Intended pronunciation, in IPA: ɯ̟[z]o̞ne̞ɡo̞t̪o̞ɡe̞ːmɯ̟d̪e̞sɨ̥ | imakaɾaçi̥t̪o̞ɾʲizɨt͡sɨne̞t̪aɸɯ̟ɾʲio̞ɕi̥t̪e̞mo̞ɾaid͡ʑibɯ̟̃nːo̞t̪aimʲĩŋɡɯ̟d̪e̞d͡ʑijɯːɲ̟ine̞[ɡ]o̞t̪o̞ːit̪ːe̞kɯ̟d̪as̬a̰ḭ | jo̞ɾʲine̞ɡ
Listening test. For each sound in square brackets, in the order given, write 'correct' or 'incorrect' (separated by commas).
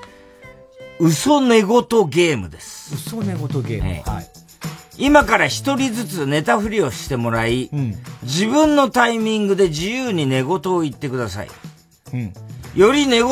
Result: incorrect, correct